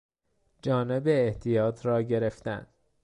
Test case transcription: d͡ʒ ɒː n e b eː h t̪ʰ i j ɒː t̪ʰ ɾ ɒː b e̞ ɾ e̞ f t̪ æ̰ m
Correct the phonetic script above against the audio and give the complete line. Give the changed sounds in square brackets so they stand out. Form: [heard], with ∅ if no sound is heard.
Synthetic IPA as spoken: d͡ʒ ɒː n e b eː h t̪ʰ i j ɒː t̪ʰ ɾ ɒː [ɟ] e̞ ɾ e̞ f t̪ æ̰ [n]